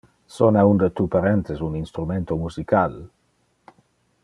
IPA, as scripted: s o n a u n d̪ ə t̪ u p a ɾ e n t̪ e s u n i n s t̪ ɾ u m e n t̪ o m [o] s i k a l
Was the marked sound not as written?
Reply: yes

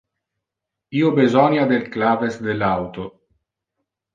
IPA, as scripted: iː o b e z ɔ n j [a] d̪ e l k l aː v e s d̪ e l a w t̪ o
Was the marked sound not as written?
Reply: no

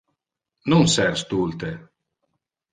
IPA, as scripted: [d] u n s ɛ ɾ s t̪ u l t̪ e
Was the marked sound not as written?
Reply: yes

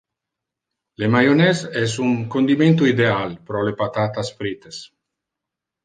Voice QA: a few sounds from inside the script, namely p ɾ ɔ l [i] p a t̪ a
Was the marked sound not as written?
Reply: yes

